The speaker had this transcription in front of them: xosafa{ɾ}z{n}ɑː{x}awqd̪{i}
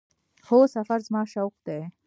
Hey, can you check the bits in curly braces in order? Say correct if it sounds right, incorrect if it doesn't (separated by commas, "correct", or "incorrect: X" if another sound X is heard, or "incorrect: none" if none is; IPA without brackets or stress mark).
correct, incorrect: m, incorrect: ʃ, incorrect: e